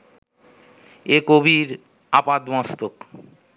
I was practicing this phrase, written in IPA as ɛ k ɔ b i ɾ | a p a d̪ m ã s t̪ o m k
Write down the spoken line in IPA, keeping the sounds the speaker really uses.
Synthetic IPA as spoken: e k o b i ɾ | a p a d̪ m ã s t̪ o k